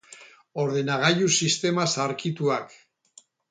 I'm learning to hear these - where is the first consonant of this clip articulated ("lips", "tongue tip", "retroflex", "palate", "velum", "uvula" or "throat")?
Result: tongue tip